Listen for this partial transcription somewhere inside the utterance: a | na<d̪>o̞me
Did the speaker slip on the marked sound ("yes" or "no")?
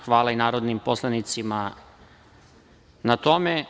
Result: yes